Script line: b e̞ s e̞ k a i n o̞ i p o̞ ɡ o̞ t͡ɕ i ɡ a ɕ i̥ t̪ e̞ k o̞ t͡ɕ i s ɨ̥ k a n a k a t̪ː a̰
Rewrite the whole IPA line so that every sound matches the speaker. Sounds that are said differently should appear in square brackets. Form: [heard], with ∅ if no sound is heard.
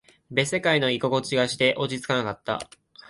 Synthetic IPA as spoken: b e̞ s e̞ k a i n o̞ i [k] o̞ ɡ o̞ t͡ɕ i ɡ a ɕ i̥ t̪ e̞ [ʔ] o̞ t͡ɕ i [t͡s] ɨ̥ k a n a k a t̪ː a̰